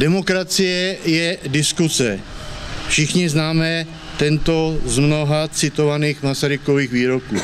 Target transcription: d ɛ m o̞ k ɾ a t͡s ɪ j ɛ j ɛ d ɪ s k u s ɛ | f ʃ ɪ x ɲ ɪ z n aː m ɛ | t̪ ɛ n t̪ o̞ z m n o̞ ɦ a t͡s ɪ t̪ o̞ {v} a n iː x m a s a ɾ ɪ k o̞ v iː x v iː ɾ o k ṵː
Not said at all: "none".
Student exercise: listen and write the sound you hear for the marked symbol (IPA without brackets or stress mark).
v